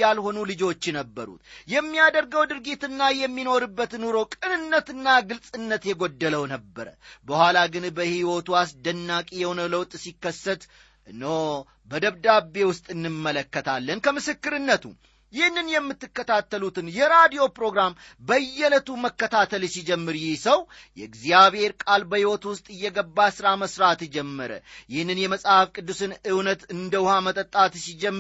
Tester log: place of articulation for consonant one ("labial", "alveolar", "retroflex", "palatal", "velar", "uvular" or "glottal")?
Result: alveolar